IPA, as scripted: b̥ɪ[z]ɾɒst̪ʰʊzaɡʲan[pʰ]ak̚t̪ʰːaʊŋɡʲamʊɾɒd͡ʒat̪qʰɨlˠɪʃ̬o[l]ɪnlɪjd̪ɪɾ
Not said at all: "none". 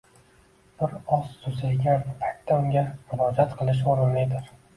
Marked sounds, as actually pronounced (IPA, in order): none, pʰ, ɾ

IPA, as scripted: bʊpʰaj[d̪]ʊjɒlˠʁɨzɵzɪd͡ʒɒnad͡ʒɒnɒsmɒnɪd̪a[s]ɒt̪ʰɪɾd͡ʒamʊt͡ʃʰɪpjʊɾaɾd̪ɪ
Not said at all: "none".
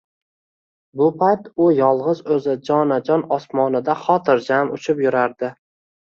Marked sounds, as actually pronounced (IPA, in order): t̪, χ

